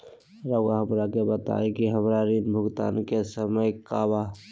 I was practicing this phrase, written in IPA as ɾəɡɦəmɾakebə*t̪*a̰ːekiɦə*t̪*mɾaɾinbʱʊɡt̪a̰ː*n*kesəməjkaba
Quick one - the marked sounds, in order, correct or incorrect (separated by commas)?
correct, incorrect, correct